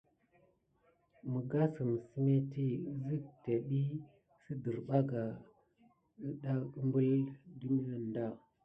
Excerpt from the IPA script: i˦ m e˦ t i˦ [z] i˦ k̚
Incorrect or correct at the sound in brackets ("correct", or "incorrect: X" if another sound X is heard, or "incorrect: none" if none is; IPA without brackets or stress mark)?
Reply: correct